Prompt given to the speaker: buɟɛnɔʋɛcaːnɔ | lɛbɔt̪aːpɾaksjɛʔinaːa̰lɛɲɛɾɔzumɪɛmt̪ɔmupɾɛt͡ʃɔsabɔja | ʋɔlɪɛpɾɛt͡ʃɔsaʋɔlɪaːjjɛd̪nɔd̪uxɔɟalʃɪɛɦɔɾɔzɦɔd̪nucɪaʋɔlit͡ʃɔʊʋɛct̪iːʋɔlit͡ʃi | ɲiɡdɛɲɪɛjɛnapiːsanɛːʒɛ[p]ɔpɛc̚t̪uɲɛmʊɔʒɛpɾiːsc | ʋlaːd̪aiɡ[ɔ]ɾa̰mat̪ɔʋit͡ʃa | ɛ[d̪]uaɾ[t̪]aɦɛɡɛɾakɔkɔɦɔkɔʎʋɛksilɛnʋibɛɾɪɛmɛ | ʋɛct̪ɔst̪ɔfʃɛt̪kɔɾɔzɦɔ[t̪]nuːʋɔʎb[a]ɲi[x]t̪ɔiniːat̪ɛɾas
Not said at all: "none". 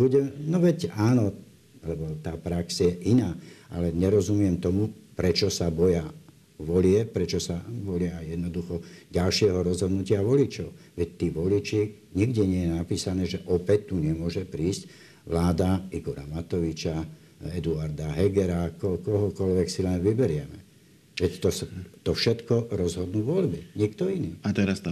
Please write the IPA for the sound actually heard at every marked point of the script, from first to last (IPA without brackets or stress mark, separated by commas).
ʔ, ɔ, d̪, d̪, d̪, i, k